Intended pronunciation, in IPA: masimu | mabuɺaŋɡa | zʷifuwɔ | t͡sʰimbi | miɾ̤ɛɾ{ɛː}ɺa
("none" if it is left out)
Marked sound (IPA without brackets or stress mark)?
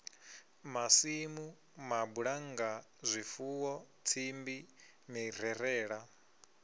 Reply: ɛː